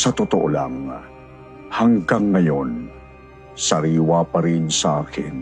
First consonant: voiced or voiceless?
voiceless